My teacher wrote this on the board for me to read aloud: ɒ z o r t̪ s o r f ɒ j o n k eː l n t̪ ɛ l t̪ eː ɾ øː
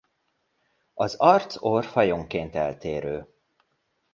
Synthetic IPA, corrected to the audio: ɒ z ɒ r t̪ s o r f ɒ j o ŋ k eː n t̪ ɛ l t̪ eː ɾ øː